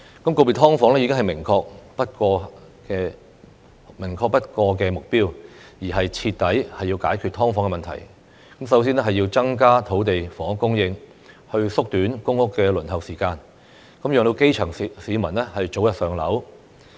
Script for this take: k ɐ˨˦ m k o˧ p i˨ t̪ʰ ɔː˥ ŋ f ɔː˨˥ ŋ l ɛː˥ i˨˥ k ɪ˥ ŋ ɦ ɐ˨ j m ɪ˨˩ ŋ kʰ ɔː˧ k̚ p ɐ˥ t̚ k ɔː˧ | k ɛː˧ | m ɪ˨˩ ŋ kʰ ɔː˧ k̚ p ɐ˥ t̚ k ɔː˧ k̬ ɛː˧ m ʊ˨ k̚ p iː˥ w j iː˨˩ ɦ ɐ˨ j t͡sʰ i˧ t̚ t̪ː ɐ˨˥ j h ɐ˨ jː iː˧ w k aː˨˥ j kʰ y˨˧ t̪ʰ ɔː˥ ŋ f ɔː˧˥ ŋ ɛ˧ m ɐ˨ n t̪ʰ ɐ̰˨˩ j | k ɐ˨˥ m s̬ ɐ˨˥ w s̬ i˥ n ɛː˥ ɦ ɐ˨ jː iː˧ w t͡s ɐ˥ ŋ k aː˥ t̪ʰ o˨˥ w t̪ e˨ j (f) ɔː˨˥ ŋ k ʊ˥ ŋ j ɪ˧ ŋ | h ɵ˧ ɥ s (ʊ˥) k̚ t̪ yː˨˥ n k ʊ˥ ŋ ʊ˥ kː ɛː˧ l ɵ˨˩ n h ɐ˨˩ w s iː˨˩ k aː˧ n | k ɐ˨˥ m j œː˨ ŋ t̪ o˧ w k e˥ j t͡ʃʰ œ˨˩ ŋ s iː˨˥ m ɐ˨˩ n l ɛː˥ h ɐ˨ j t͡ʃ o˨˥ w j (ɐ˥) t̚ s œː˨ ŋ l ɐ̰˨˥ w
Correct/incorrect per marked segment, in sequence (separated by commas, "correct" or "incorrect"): correct, correct, incorrect